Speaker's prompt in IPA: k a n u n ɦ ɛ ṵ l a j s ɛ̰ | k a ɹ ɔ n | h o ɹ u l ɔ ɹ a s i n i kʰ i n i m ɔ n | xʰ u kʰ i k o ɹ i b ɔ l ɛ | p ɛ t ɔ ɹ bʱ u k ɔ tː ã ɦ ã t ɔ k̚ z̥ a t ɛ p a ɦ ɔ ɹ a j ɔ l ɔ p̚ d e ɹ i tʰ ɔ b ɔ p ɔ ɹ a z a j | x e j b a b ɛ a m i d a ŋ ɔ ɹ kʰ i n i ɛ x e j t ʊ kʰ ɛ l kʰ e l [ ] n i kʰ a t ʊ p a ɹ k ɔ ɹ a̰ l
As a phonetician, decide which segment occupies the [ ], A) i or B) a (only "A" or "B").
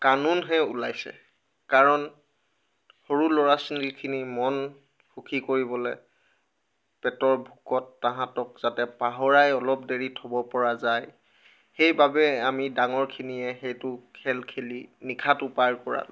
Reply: A